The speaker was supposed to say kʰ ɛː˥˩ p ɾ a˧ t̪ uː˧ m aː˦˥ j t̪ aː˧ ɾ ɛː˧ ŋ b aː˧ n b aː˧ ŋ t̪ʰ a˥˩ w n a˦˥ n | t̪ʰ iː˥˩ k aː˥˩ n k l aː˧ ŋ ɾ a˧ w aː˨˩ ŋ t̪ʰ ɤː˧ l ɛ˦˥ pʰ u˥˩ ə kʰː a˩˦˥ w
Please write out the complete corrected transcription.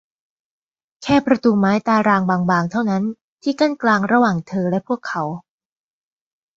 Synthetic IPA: kʰ ɛː˥˩ p ɾ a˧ t̪ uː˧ m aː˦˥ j t̪ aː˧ ɾ aː˧ ŋ b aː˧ ŋ b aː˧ ŋ t̪ʰ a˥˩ w n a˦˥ n | t̪ʰ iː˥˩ k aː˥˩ n k l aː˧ ŋ ɾ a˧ w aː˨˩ ŋ t̪ʰ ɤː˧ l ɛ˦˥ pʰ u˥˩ ə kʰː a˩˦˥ w